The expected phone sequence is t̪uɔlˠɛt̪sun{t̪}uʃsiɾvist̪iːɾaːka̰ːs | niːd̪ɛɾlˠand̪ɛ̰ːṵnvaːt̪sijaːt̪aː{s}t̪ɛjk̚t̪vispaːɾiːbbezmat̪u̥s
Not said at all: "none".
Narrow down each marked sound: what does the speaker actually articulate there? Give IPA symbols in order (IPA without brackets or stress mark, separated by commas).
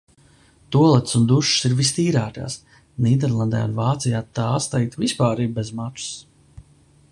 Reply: d̪, s